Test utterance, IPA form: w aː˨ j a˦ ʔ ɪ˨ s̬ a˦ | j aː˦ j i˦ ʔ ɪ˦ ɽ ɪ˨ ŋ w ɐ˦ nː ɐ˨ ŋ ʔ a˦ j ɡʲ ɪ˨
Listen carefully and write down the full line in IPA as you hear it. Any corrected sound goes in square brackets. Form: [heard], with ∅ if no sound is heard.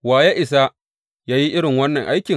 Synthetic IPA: w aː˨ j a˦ ʔ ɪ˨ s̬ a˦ | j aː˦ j i˦ ʔ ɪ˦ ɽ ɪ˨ ŋ w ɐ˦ nː ɐ˨ ŋ ʔ a˦ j [kʲ] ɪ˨